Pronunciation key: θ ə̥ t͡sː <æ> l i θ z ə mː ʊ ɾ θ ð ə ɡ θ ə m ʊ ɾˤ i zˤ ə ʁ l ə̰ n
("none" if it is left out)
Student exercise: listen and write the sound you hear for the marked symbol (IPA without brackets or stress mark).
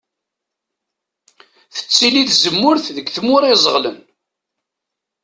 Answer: i